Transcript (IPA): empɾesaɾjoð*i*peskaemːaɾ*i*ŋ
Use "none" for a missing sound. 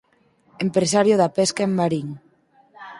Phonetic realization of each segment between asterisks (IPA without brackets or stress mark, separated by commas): a, i